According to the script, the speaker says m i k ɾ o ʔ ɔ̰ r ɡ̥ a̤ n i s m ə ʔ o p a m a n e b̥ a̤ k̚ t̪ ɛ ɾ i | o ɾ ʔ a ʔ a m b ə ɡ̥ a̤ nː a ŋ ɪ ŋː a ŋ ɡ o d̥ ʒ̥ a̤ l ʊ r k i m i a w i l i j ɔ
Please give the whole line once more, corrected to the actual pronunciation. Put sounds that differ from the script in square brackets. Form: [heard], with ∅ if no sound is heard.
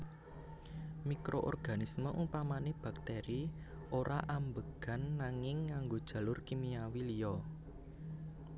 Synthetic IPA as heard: m i k ɾ o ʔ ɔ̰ r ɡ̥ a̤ n i s m ə ʔ [u] p a m a n e b̥ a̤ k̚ t̪ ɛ ɾ i | o ɾ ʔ a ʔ a m b ə ɡ̥ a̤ nː a ŋ ɪ ŋː a ŋ ɡ o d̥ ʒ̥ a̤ l ʊ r k i m i a w i l i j ɔ